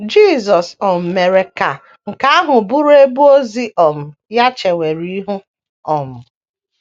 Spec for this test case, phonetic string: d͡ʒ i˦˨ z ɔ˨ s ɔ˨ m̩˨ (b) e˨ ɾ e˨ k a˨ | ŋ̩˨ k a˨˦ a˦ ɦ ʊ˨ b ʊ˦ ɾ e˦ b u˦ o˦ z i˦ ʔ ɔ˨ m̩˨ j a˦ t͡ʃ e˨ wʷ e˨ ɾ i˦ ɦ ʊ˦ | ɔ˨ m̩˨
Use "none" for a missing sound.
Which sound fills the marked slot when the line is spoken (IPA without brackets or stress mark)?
m